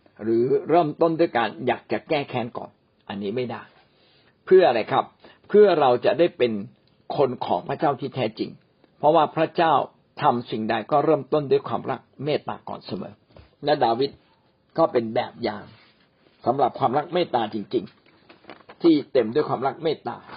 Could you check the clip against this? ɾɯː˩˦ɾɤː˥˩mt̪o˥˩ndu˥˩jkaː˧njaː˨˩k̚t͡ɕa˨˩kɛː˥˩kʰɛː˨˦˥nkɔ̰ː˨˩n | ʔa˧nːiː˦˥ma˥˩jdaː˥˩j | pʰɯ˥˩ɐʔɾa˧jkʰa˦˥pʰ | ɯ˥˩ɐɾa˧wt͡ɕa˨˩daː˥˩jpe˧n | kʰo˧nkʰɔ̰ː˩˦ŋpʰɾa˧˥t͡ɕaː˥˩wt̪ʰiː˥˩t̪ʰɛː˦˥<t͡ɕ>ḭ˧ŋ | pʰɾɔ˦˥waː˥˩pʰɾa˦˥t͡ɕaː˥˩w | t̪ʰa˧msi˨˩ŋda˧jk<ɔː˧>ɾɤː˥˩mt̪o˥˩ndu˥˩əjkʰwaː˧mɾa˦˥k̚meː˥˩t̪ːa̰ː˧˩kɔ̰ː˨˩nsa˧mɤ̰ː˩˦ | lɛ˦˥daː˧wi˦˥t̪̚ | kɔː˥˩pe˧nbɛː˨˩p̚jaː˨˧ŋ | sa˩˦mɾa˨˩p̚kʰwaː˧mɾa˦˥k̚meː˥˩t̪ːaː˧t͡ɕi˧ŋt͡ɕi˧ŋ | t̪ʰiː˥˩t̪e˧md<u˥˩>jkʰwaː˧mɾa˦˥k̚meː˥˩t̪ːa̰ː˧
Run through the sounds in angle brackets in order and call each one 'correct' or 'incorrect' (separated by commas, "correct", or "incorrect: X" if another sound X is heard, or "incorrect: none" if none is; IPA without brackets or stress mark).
correct, incorrect: ɔː˥˩, correct